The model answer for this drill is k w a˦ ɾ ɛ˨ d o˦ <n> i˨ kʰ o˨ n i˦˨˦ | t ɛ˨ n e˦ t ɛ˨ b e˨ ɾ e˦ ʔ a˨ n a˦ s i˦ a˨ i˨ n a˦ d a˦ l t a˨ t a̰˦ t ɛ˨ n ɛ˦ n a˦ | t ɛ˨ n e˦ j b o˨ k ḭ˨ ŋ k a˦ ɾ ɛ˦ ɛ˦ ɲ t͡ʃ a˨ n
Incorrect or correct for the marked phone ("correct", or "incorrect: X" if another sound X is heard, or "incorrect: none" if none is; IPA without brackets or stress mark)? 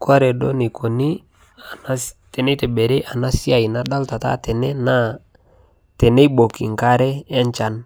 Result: correct